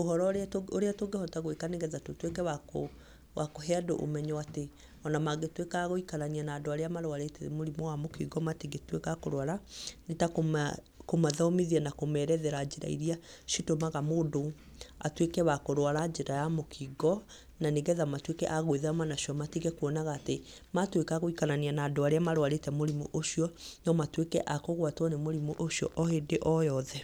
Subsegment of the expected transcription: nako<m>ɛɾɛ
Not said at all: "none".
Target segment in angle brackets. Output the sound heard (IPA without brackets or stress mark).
m